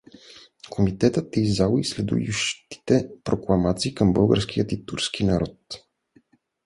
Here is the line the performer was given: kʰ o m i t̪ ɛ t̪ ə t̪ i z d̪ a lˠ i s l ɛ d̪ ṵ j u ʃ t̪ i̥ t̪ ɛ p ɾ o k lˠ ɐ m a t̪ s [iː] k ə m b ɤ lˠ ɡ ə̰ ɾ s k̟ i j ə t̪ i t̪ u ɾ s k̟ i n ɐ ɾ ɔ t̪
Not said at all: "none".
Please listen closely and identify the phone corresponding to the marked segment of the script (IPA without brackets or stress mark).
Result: iː